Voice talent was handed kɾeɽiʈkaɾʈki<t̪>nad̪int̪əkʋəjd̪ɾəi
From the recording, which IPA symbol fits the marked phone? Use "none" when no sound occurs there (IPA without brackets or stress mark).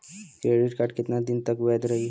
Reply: t̪